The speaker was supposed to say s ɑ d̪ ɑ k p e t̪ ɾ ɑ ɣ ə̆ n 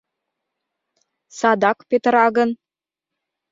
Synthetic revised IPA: s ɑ d̪ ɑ k p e t̪ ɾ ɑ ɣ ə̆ n